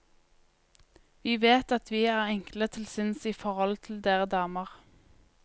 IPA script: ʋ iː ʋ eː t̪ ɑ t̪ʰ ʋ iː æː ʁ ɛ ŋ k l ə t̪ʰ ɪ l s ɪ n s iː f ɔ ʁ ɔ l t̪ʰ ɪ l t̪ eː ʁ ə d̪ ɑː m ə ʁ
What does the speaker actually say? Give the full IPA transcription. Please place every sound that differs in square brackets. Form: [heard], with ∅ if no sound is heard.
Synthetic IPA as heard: ʋ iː ʋ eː t̪ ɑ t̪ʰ ʋ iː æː ʁ ɛ ŋ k l ə t̪ʰ ɪ l s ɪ n s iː f ɔ ʁ ɔ l t̪ʰ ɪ l [d̪] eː ʁ ə d̪ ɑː m ə ʁ